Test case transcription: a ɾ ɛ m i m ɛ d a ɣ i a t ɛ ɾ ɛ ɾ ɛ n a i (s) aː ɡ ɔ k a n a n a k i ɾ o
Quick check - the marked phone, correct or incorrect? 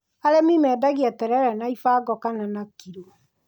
incorrect